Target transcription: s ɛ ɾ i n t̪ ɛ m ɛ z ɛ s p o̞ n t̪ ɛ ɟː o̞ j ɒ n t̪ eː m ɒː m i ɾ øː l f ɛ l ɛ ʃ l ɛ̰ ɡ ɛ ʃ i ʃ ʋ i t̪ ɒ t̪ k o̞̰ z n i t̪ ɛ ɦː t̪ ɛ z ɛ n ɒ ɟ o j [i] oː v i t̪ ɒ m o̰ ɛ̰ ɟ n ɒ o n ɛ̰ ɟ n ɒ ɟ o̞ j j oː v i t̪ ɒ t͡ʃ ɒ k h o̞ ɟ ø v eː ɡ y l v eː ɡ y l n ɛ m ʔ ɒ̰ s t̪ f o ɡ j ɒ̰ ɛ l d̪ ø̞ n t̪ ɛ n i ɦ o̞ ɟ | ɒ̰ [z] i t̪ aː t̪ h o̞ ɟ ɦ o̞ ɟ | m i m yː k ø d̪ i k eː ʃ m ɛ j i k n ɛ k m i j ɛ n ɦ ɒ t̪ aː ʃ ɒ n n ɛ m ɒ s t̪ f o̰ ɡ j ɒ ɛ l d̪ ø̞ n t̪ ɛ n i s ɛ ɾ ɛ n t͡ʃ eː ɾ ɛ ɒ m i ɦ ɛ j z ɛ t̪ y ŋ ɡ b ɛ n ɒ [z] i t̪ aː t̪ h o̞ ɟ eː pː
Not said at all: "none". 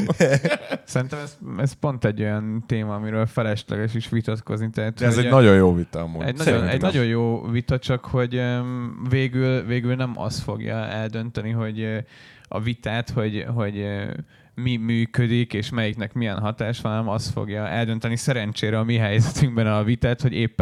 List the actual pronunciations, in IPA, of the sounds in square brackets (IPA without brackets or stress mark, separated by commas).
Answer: j, v, v